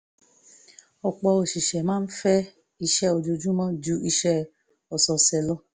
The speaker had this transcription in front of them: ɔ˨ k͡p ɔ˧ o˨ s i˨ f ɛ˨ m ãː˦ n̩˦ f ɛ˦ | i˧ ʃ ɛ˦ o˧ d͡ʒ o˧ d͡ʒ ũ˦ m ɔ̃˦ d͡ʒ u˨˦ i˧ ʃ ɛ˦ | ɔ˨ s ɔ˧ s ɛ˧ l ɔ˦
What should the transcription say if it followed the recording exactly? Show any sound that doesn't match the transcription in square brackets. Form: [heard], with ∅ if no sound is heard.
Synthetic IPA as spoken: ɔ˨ k͡p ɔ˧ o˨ [ʃ] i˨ [ʃ] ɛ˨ m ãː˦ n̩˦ f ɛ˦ | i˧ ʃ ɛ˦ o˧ d͡ʒ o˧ d͡ʒ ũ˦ m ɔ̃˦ d͡ʒ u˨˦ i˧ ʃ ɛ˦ | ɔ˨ s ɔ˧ s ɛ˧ l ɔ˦

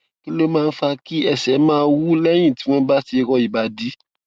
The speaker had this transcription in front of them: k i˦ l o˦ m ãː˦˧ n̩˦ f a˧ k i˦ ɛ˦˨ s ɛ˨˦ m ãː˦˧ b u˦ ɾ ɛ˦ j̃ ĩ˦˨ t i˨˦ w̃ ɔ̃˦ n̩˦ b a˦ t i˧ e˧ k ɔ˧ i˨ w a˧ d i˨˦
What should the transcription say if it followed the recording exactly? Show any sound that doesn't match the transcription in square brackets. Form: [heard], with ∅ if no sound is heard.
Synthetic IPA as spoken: k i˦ l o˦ m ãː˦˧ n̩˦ f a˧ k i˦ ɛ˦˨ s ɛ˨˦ m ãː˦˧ [w] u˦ [l] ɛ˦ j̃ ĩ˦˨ t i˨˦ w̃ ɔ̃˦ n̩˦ b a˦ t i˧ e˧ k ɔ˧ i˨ [b] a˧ d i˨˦

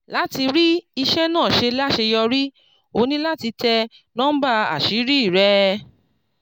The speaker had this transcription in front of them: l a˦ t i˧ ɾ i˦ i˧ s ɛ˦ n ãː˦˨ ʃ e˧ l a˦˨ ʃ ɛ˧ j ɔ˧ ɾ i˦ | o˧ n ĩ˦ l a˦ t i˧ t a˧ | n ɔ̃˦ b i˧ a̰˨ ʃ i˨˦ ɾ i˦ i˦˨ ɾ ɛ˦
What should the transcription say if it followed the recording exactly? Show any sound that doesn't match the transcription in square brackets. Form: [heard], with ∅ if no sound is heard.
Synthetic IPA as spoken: l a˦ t i˧ ɾ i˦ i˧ [ʃ] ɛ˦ n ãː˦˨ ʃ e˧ l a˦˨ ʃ [e˧] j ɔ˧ ɾ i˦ | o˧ n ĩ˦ l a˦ t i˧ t [ɛ˧] | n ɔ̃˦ b [a˧] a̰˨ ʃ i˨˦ ɾ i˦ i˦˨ ɾ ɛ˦

